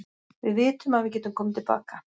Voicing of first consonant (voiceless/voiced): voiced